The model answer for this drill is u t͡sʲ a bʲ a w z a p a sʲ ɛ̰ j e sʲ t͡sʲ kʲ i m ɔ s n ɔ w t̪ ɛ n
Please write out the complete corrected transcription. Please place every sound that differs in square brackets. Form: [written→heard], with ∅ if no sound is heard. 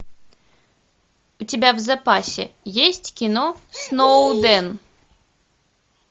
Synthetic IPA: u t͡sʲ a bʲ a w z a p a sʲ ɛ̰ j e sʲ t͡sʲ kʲ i [m→n] ɔ s n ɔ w [t̪→d̪] ɛ n